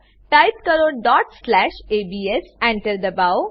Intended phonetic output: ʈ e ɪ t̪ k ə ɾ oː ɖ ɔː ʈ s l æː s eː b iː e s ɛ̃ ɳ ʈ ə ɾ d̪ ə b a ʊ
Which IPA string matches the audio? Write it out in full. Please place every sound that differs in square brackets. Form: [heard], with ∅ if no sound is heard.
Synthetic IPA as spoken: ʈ [a] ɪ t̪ k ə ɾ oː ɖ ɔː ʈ s l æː [ʃ] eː b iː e s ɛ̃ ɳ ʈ ə ɾ d̪ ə b a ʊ